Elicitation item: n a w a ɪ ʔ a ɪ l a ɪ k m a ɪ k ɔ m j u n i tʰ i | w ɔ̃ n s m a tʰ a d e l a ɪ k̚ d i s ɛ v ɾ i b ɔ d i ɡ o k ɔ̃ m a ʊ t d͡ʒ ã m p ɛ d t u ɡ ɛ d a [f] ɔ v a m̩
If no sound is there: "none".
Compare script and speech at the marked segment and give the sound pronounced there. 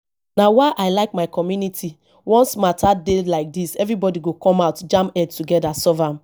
s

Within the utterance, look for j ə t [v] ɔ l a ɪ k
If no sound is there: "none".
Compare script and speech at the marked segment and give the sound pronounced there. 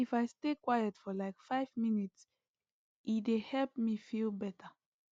f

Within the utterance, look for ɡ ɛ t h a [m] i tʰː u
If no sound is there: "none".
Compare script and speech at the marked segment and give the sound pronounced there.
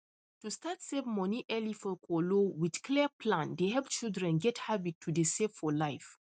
b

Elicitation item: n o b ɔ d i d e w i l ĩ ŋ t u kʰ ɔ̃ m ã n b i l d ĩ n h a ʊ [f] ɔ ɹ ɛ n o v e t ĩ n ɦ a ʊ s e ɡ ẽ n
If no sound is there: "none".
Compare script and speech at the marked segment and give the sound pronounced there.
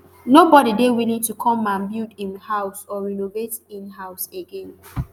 s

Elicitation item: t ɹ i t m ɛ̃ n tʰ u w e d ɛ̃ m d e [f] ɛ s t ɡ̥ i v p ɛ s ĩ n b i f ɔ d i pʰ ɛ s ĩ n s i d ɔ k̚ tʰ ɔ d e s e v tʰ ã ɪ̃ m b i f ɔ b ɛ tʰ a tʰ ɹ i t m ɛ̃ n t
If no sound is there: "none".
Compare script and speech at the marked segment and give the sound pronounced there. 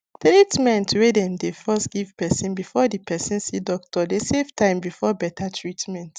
f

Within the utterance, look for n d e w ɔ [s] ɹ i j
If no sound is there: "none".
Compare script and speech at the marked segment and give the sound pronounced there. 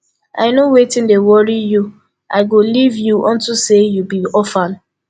none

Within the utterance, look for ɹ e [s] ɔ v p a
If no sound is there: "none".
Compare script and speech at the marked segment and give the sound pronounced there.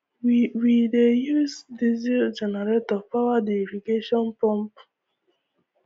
t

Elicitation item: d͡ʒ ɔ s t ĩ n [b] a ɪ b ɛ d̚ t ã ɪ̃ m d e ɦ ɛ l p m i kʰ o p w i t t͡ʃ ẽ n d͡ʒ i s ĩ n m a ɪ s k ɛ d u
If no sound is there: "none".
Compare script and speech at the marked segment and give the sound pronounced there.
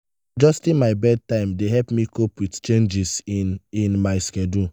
m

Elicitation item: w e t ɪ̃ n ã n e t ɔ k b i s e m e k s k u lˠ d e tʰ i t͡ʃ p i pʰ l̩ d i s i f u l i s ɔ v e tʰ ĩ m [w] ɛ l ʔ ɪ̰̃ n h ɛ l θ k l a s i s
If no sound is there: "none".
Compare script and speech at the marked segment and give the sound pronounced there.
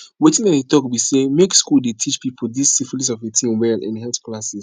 w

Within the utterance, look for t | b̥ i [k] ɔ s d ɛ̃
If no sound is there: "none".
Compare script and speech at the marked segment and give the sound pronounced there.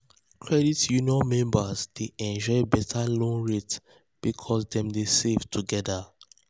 kʰ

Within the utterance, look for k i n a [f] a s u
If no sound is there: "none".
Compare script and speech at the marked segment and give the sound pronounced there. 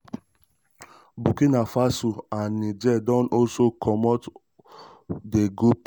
f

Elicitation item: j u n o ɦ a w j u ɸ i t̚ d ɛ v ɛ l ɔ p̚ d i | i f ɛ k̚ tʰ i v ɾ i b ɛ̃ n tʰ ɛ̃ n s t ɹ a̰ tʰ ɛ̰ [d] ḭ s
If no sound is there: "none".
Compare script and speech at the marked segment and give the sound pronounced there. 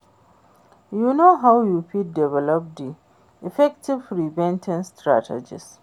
d͡ʒ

